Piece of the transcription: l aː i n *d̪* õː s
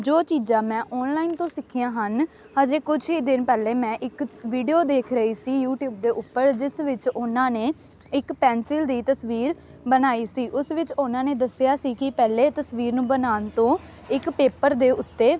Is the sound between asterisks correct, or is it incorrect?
incorrect